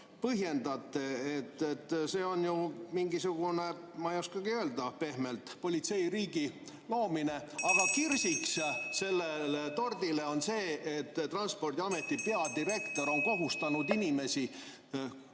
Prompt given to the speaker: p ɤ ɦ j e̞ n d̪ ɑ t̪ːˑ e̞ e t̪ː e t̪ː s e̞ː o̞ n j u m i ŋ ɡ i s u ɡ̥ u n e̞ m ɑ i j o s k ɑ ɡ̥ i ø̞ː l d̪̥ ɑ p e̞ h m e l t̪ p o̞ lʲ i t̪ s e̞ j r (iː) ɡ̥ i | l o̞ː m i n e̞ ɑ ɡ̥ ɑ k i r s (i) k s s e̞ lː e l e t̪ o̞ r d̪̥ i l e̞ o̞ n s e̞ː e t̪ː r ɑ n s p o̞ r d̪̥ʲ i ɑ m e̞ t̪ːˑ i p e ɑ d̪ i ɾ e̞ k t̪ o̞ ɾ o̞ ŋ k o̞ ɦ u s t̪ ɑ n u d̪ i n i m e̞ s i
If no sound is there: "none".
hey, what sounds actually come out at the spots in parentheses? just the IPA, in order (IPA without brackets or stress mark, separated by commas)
iː, i